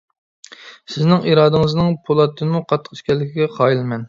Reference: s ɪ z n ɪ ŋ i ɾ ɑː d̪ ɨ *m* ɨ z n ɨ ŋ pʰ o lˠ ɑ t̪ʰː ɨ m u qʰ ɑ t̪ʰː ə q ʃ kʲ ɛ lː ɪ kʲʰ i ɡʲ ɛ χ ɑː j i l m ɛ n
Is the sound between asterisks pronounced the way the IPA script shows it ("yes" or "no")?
no